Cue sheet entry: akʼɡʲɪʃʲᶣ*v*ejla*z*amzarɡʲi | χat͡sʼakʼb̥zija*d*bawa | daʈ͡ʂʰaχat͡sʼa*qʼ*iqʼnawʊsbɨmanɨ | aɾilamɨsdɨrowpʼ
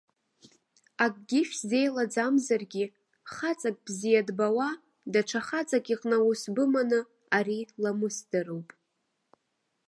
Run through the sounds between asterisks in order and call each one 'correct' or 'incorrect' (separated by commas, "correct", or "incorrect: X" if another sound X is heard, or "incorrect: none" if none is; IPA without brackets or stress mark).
incorrect: z, incorrect: d͡z, correct, incorrect: kʼ